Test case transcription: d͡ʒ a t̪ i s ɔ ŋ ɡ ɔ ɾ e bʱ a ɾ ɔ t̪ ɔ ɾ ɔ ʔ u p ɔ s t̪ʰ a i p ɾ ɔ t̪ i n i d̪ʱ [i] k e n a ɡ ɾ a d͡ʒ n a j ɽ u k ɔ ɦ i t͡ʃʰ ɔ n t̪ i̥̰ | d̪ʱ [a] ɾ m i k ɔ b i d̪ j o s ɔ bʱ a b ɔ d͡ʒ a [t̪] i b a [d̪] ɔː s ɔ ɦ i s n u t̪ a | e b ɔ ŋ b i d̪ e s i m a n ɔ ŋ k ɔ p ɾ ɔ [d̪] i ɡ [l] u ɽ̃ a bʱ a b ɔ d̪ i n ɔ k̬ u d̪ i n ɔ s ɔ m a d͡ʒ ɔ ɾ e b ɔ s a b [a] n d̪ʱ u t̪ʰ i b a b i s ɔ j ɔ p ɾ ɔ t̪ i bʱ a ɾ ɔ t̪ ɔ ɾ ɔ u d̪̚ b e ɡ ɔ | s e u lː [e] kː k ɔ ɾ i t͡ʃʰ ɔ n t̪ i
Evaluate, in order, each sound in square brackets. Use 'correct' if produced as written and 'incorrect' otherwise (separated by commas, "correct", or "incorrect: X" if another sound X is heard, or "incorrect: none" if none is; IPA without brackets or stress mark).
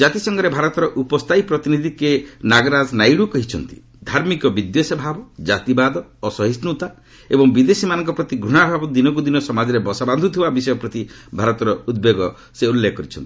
correct, correct, correct, correct, incorrect: t̪, incorrect: ɾ, correct, correct